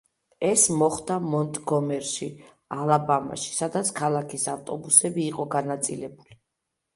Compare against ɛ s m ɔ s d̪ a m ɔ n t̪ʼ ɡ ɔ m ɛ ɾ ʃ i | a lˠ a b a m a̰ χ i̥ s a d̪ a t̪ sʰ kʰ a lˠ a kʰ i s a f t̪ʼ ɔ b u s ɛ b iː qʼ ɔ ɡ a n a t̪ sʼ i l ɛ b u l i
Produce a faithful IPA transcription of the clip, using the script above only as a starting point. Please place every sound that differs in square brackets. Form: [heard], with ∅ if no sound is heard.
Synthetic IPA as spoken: ɛ s m ɔ [χ] d̪ a m ɔ n t̪ʼ ɡ ɔ m ɛ ɾ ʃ i | a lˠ a b a m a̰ [ʃ] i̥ s a d̪ a t̪ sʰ kʰ a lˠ a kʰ i s a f t̪ʼ ɔ b u s ɛ b iː qʼ ɔ ɡ a n a t̪ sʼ i l ɛ b u l i

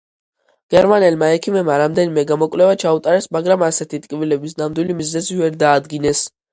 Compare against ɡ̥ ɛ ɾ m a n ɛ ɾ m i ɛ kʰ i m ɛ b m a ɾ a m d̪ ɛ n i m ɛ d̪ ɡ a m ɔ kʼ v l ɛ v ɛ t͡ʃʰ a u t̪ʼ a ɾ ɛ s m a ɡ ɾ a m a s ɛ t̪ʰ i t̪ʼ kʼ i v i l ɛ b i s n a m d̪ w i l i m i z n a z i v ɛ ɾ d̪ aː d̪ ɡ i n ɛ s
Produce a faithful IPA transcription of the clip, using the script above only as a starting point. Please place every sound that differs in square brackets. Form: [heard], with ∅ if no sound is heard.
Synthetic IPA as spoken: ɡ̥ ɛ ɾ m a n ɛ [l] m [a] ɛ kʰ i m ɛ b m a ɾ a m d̪ ɛ n i m ɛ [∅] ɡ a m ɔ kʼ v l ɛ v [a] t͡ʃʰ a u t̪ʼ a ɾ ɛ s m a ɡ ɾ a m a s ɛ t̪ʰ i t̪ʼ kʼ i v i l ɛ b i s n a m d̪ w i l i m i z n [ɛ] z i v ɛ ɾ d̪ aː d̪ ɡ i n ɛ s

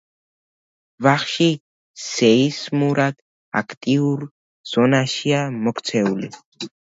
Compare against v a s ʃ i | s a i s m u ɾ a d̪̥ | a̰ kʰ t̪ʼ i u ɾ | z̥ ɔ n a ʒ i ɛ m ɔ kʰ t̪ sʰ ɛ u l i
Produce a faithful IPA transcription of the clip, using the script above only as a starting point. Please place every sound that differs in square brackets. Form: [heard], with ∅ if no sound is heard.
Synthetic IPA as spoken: v a [χ] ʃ i | s [ɛ] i s m u ɾ a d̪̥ | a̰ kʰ t̪ʼ i u ɾ | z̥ ɔ n a [ʃ] i [a] m ɔ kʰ t̪ sʰ ɛ u l i

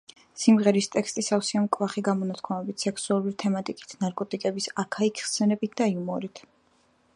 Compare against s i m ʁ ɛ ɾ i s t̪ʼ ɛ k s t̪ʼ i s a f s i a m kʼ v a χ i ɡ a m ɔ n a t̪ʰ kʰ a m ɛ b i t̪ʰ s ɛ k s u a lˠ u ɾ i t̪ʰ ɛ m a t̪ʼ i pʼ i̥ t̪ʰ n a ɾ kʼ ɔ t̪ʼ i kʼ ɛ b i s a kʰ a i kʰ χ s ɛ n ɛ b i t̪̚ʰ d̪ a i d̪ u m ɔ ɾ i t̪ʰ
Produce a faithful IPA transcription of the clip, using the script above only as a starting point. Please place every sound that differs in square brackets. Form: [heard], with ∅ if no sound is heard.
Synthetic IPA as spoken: s i m ʁ ɛ ɾ i s t̪ʼ ɛ k s t̪ʼ i s a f s i a m kʼ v a χ i ɡ a m ɔ n a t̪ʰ kʰ a m ɛ b i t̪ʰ s ɛ k s u a lˠ u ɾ i t̪ʰ ɛ m a t̪ʼ i [kʼ] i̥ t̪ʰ n a ɾ kʼ ɔ t̪ʼ i kʼ ɛ b i s a kʰ a i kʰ χ s ɛ n ɛ b i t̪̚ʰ d̪ a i [∅] u m ɔ ɾ i t̪ʰ

